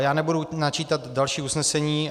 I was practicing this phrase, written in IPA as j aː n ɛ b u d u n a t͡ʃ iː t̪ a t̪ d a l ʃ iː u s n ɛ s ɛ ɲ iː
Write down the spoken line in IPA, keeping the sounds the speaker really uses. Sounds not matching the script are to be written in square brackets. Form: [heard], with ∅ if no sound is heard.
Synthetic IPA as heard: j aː n ɛ b u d u n a t͡ʃ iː t̪ a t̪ d a l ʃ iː u s n ɛ s ɛ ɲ iː